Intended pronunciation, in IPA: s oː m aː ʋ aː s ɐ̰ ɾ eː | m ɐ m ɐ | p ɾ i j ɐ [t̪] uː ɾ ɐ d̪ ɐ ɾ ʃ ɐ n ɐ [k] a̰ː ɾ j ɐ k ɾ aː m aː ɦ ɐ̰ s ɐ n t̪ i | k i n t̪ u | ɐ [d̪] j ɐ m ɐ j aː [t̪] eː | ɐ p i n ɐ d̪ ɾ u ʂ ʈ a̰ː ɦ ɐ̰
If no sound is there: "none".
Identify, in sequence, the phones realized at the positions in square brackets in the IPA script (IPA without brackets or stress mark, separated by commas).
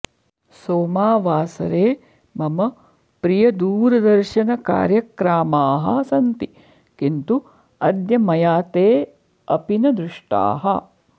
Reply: d̪, k, d̪, t̪